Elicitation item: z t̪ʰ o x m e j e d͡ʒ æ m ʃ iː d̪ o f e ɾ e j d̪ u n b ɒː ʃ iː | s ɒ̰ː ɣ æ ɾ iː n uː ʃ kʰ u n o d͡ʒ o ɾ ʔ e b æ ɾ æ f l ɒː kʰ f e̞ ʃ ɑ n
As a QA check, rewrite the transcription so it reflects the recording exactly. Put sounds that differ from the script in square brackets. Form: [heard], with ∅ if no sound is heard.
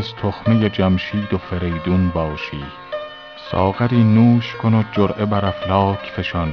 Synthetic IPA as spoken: z t̪ʰ o x m e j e d͡ʒ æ m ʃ iː d̪ o f e ɾ e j d̪ u n b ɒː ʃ iː | s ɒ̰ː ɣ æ ɾ iː n uː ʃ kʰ [o] n o d͡ʒ o ɾ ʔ e b æ ɾ æ f l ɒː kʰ f e̞ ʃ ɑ n